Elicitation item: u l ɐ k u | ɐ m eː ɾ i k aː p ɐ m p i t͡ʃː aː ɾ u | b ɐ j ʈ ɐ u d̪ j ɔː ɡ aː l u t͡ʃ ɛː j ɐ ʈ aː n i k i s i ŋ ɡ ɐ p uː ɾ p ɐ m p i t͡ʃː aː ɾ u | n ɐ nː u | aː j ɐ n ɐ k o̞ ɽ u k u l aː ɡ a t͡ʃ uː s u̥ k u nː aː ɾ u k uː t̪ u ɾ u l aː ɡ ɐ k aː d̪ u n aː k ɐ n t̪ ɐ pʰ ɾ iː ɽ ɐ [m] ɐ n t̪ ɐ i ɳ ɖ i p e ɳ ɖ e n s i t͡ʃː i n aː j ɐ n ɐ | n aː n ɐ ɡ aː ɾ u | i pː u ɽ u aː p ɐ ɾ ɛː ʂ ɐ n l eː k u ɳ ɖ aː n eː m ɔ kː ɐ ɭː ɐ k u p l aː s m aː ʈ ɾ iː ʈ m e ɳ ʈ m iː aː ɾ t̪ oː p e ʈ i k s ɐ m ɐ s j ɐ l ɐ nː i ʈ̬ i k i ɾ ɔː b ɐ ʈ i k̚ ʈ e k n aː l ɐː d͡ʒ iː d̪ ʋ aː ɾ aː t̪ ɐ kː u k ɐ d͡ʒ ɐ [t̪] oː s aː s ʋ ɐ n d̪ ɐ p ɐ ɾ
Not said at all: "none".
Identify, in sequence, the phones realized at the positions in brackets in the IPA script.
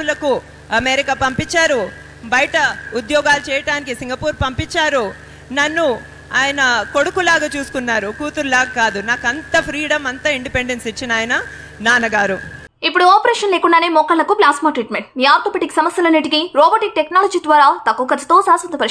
m, t̪

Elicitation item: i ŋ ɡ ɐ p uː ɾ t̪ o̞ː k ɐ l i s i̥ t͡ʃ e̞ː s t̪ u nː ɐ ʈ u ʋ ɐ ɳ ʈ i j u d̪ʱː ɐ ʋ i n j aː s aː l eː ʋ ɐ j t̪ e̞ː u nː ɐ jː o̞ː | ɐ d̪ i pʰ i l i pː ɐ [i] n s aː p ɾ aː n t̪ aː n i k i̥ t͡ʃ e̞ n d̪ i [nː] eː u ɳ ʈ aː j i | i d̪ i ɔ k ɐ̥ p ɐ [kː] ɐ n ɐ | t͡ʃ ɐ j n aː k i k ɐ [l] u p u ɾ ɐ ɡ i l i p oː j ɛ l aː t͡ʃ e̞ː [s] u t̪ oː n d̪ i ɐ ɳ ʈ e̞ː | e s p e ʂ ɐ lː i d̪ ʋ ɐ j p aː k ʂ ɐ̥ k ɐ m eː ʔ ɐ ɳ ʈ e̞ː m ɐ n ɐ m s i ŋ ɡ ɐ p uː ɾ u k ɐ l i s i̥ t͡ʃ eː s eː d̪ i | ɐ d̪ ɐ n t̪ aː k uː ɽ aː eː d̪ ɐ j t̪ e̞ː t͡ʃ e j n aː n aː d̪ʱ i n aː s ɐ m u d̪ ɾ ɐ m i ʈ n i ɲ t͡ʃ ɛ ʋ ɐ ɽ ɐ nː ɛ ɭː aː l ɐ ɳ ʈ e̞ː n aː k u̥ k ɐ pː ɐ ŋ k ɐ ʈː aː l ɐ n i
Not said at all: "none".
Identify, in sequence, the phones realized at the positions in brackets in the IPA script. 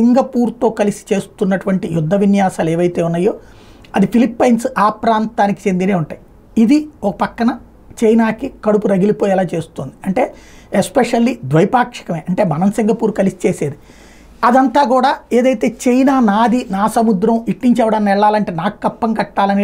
j, n, kː, ɽ, s

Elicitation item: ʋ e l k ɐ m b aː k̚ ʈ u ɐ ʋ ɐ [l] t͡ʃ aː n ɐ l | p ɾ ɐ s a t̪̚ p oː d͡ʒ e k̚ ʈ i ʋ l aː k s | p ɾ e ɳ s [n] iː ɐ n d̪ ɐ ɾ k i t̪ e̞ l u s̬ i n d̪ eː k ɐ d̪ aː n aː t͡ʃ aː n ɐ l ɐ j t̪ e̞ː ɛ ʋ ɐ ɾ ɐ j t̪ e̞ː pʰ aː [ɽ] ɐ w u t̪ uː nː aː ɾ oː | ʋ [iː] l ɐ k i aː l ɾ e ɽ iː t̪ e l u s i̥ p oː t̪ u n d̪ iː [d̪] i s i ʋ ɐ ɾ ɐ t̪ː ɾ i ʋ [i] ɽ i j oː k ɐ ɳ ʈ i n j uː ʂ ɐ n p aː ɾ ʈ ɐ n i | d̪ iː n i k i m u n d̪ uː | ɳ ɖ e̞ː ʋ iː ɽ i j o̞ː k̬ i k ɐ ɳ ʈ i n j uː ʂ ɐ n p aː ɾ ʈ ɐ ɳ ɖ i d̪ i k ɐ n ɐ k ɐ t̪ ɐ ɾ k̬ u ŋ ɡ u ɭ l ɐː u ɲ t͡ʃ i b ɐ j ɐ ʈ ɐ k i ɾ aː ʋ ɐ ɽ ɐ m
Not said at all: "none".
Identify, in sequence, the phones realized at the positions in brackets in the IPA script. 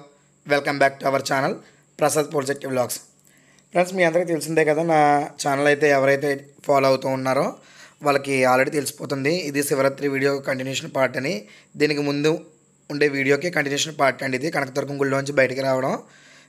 ɾ, m, l, aː, d̪, iː

